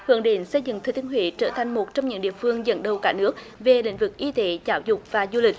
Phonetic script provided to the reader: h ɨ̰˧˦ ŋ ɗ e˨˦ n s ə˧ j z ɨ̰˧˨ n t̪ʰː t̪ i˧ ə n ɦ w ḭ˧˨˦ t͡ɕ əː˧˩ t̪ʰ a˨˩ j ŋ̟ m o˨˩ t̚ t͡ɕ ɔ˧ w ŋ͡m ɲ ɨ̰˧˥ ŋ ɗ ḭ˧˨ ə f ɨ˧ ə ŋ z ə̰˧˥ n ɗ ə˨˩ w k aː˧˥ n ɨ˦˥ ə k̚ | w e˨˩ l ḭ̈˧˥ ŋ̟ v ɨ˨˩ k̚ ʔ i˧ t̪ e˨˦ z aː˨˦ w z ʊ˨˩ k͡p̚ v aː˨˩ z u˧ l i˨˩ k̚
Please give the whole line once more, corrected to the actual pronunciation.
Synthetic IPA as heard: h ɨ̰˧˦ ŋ ɗ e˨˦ n s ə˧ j z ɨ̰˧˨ ŋ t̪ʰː t̪ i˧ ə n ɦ w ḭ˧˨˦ t͡ɕ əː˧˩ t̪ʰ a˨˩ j ŋ̟ m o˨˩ t̚ t͡ɕ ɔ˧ w ŋ͡m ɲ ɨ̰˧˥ ŋ ɗ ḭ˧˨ ə f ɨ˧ ə ŋ z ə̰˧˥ n ɗ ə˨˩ w k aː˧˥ n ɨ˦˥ ə k̚ | v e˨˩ l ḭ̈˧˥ ŋ̟ v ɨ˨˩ k̚ ʔ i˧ t̪ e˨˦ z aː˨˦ w z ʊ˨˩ k͡p̚ v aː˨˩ z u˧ l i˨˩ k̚

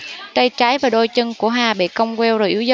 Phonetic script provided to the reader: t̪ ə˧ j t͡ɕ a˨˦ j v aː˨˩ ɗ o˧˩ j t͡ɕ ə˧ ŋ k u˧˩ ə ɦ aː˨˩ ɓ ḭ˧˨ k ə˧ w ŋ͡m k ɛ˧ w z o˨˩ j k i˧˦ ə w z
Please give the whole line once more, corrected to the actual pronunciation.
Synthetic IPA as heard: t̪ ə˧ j t͡ɕ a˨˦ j v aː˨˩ ɗ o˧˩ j t͡ɕ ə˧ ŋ k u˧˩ ə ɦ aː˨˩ ɓ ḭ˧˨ k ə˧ w ŋ͡m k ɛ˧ w z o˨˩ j ʔ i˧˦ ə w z

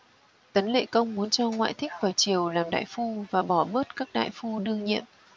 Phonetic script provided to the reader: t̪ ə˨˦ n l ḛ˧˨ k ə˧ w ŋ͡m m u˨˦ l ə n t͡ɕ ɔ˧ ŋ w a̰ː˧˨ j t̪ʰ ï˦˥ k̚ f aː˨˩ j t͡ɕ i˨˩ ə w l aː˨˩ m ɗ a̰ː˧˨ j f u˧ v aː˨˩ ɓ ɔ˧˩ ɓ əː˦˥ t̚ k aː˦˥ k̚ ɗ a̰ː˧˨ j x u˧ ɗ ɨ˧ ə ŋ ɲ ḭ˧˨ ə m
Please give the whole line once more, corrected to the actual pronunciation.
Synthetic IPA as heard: t̪ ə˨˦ n l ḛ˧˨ k ə˧ w ŋ͡m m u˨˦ ə n t͡ɕ ɔ˧ ŋ w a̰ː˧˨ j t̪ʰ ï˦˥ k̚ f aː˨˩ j t͡ɕ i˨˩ ə w l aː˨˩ m ɗ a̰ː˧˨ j f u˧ v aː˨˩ ɓ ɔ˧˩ ɓ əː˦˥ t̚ k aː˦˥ k̚ ɗ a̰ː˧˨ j f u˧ ɗ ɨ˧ ə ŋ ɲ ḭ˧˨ ə m

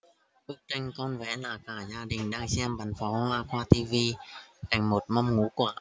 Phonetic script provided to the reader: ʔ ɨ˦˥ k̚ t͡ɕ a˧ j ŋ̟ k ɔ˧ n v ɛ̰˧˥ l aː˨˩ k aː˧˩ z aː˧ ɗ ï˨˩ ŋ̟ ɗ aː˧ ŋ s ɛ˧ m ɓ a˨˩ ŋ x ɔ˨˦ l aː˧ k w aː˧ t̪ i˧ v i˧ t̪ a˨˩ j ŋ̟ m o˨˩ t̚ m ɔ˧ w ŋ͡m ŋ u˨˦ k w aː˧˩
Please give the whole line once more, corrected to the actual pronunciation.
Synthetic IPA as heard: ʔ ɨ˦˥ k̚ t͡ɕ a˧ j ŋ̟ k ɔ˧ n v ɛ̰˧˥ l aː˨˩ k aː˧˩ z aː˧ ɗ ï˨˩ ŋ̟ ɗ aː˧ ŋ s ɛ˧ m ɓ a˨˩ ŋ f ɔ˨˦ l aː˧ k w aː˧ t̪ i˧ v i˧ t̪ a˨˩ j ŋ̟ m o˨˩ t̚ m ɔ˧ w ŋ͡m ŋ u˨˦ k w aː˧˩

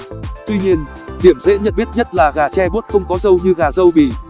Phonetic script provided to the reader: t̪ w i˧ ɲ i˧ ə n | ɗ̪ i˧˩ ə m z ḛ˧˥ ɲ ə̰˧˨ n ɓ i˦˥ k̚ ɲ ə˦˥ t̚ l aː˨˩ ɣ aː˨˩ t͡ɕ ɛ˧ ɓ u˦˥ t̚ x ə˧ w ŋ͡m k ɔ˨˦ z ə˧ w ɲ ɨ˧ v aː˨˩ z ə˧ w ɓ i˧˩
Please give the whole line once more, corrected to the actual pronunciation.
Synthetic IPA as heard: t̪ w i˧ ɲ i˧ ə n | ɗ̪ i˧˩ ə m z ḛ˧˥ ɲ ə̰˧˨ n ɓ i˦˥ t̚ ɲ ə˦˥ t̚ l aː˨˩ ɣ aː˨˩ t͡ɕ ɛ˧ ɓ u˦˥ t̚ x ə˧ w ŋ͡m k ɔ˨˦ z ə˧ w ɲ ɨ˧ ɣ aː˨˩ z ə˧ w ɓ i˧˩

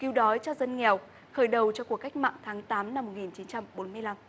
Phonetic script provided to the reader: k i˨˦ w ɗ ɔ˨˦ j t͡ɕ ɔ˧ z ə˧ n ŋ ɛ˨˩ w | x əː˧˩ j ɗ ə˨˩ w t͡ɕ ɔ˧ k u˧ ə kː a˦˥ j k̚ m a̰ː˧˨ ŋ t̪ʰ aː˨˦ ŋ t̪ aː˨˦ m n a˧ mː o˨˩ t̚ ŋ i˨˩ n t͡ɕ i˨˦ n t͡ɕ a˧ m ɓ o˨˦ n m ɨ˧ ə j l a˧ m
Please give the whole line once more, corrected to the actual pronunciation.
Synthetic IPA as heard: k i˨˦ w ɗ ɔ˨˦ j t͡ɕ ɔ˧ z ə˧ n ŋ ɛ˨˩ w | x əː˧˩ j ɗ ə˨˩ w t͡ɕ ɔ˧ k u˨˩ ə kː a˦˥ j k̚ m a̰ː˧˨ ŋ t̪ʰ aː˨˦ ŋ t̪ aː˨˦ m n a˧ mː o˨˩ t̚ ŋ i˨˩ n t͡ɕ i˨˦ n t͡ɕ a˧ m ɓ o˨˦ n m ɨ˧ ə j l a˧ m

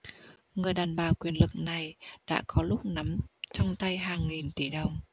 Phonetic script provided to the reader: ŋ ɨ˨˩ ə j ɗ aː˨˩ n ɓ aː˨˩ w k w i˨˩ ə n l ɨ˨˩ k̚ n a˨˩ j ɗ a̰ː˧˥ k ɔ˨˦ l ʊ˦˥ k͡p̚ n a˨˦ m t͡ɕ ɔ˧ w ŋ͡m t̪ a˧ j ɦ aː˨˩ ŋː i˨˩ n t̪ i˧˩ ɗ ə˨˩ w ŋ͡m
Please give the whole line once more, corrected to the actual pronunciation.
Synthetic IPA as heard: ŋ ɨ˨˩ ə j ɗ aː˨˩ n ɓ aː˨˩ w k w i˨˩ ə n l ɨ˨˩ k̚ n a˨˩ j ɗ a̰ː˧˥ k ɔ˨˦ l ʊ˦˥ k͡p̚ n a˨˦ m t͡ɕ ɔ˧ w ŋ͡m t̪ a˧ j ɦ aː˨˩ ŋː i˨˩ n t̪ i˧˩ ɗ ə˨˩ w ŋ͡m

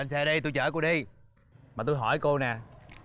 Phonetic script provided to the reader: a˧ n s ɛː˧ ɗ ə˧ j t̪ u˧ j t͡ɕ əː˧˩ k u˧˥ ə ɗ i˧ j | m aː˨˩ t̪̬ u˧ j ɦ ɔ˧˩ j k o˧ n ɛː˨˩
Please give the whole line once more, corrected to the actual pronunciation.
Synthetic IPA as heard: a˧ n s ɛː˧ ɗ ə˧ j t̪ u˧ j t͡ɕ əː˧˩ k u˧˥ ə ɗ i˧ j | m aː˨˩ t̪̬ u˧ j ɦ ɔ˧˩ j k o˧ n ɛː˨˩

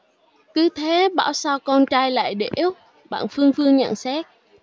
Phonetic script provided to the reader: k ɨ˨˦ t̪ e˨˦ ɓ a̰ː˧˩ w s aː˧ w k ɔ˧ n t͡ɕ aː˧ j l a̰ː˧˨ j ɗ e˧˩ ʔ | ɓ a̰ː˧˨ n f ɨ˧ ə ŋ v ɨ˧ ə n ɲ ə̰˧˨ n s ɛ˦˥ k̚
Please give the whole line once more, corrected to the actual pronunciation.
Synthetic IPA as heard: k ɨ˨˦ t̪ʰ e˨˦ ɓ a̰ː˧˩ w s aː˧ w k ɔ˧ n t͡ɕ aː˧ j l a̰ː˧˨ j ɗ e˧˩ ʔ | ɓ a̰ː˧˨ n f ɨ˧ ə ŋ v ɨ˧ ə ŋ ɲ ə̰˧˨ n s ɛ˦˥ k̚

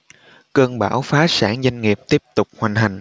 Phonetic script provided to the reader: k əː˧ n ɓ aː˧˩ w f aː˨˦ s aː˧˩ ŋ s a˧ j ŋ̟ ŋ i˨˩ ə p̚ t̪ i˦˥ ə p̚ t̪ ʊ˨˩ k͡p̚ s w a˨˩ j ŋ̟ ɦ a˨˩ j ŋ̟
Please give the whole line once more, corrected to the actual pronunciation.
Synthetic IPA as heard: k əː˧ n ɓ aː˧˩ w f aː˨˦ s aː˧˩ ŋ z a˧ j ŋ̟ ŋ i˨˩ ə p̚ t̪ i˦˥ ə p̚ t̪ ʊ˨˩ k͡p̚ h w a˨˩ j ŋ̟ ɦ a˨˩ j ŋ̟

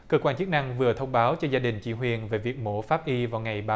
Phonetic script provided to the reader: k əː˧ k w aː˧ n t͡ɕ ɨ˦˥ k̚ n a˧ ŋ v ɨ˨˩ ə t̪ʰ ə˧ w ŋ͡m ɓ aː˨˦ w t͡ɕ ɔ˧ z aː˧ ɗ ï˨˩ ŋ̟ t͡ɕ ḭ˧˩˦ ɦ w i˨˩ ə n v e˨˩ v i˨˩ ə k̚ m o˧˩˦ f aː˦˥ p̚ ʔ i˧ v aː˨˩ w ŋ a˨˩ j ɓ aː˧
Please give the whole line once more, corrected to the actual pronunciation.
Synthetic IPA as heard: k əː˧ k w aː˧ n t͡ɕ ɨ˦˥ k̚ n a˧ ŋ v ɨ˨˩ ə t̪ʰ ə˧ w ŋ͡m ɓ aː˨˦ w t͡ɕ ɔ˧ z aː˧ ɗ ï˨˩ ŋ̟ t͡ɕ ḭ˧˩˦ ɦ w i˨˩ ə n v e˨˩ v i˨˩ ə k̚ m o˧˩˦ f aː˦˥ p̚ ʔ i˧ v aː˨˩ w ŋ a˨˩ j ɓ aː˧

